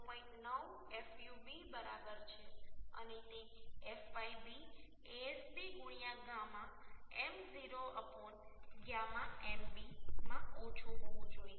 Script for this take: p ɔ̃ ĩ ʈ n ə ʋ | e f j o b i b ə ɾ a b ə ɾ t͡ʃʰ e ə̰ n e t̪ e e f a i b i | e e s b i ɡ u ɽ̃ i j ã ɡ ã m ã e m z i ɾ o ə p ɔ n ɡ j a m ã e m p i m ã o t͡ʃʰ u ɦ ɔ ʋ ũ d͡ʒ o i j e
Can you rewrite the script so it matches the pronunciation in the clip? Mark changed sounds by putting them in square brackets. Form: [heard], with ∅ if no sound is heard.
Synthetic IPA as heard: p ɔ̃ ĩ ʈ n ə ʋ | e f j [u] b i b ə ɾ a b ə ɾ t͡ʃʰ e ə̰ n e t̪ e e f a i b i | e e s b i ɡ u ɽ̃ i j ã ɡ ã m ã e m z i ɾ o ə p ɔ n ɡ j a m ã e m [b] i m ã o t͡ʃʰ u ɦ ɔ ʋ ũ d͡ʒ o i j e